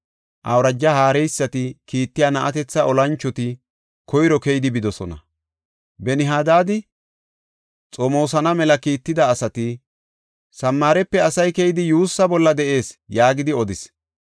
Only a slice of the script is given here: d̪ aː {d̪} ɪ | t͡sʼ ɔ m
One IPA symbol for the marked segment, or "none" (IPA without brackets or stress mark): d̪